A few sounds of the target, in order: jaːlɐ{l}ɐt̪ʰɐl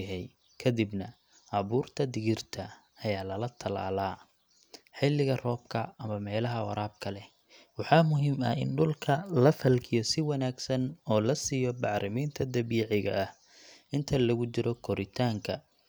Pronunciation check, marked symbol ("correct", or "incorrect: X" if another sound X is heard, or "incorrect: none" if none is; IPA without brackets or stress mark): correct